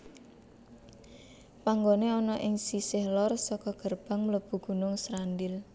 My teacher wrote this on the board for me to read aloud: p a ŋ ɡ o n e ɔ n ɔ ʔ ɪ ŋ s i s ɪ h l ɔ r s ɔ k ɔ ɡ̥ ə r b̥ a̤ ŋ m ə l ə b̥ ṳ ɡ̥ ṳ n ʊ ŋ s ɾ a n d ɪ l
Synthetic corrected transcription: p a ŋ ɡ o n e ɔ n ɔ ʔ ɪ ŋ s i s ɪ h l ɔ r s ɔ k ɔ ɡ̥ ə r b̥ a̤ ŋ m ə l ə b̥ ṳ ɡ̥ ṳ n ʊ ŋ s ɾ a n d ɪ l